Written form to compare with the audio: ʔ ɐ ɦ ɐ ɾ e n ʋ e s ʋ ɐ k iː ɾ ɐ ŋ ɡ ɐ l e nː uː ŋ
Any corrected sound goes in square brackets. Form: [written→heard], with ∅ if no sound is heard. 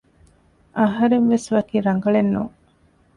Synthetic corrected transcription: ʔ ɐ ɦ ɐ ɾ e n ʋ e s ʋ ɐ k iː ɾ ɐ ŋ ɡ ɐ [l→ɭ] e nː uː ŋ

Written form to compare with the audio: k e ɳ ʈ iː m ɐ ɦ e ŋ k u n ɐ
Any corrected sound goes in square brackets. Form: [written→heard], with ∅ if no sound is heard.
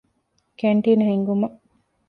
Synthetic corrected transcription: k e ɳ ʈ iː [m→n] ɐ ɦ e ŋ [k→ɡ] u [n→m] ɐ

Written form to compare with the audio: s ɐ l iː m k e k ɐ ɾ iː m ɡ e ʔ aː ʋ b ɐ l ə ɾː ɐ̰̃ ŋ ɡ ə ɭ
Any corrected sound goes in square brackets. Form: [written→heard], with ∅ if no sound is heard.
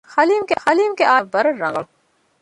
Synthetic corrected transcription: [s→x] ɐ l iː m k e [k→x] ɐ [ɾ→l] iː m [ɡ→k] e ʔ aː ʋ b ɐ [l→ɾ] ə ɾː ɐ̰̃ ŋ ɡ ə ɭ

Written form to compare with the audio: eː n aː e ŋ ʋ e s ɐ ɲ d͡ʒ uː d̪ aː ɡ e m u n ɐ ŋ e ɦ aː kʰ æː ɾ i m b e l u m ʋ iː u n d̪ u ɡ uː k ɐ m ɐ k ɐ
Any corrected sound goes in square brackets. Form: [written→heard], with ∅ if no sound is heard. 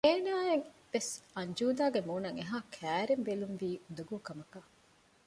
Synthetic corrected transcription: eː n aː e ŋ ʋ e s ɐ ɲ d͡ʒ uː d̪ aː ɡ e m [u→uː] n ɐ ŋ e ɦ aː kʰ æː ɾ [i→e] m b e l u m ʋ iː u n d̪ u ɡ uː k ɐ m ɐ k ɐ

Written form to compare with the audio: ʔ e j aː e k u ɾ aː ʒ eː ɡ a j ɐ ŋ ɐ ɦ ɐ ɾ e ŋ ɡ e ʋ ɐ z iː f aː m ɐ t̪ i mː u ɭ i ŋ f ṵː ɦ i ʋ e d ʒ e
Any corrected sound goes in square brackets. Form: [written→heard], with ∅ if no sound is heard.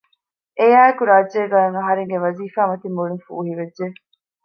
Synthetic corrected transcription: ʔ e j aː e k u ɾ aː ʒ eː ɡ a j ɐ ŋ ɐ ɦ ɐ ɾ e ŋ ɡ e ʋ ɐ z iː f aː m ɐ t̪ i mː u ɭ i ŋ f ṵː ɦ i ʋ e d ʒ e

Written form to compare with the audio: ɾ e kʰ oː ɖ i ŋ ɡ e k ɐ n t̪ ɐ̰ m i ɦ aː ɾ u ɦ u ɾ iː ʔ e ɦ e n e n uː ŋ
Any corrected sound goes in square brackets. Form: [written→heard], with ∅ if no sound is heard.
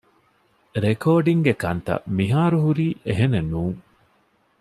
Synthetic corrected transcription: ɾ e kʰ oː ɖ i ŋ ɡ e k ɐ n t̪ ɐ̰ m i ɦ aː ɾ u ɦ u ɾ iː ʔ e ɦ e n e n uː ŋ

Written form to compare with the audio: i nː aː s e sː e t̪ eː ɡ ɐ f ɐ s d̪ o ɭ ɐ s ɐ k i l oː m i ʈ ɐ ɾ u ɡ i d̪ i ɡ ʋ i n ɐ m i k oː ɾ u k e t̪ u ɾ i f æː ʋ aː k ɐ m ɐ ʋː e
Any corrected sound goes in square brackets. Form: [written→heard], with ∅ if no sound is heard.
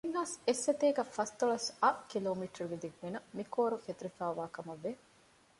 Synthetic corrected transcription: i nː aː s e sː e t̪ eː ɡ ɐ f ɐ s [d̪→t̪] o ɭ ɐ s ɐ k i l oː m i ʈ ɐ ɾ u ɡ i d̪ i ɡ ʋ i n ɐ m i k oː ɾ u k e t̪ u ɾ i f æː ʋ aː k ɐ m ɐ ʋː e

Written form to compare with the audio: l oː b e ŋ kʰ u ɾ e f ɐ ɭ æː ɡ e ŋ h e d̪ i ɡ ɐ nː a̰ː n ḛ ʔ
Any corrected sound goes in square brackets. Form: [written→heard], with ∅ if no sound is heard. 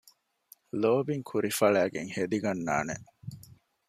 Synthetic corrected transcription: l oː b [e→i] ŋ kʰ u ɾ [e→i] f ɐ ɭ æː ɡ e ŋ h e d̪ i ɡ ɐ nː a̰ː n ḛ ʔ

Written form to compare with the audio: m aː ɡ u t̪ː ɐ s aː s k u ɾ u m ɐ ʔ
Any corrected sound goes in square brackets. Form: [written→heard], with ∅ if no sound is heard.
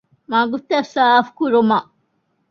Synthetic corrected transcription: m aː ɡ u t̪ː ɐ s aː [s→f] k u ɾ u m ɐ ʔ

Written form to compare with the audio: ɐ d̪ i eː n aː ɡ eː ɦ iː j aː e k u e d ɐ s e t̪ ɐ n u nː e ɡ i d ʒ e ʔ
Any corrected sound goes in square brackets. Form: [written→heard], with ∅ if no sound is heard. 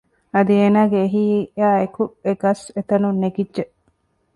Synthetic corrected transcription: ɐ d̪ i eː n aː ɡ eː ɦ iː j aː e k u e [d→ɡ] ɐ s e t̪ ɐ n u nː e ɡ i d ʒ e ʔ

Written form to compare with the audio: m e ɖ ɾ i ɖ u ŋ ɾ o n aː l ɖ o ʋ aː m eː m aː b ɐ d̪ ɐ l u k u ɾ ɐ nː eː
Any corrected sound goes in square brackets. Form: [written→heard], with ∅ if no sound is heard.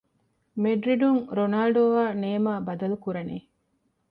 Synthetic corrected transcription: m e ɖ ɾ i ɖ u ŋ ɾ o n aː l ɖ o ʋ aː [m→n] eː m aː b ɐ d̪ ɐ l u k u ɾ ɐ [nː→n] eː

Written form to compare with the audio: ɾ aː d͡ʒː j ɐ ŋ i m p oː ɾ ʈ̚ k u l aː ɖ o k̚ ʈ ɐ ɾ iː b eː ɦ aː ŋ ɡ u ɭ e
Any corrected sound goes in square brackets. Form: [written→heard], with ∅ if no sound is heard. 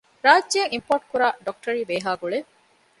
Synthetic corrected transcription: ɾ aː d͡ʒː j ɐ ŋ i m p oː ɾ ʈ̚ k u [l→ɾ] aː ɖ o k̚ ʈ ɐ ɾ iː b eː ɦ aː [ŋ→∅] ɡ u ɭ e

